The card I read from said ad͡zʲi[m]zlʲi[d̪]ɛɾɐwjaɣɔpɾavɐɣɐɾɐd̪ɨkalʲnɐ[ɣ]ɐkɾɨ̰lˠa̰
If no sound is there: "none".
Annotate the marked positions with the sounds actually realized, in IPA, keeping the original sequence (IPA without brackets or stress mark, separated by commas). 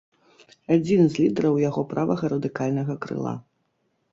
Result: n, d̪, ɣ